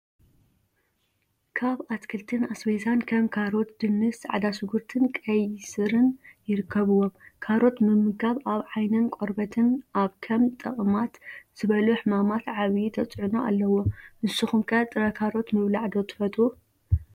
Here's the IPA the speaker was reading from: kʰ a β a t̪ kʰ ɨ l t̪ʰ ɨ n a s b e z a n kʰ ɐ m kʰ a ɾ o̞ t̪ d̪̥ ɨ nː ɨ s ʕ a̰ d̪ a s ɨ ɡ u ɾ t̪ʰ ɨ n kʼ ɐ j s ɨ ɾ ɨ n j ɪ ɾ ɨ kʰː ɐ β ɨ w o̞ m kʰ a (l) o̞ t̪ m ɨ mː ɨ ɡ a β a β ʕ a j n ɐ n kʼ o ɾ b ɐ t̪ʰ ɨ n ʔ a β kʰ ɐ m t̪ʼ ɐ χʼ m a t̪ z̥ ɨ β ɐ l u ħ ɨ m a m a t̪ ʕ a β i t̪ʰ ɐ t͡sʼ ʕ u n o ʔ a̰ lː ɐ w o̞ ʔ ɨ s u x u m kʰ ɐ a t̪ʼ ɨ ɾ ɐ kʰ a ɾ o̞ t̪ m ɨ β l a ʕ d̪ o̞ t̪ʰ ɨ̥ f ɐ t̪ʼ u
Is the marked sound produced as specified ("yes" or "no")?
no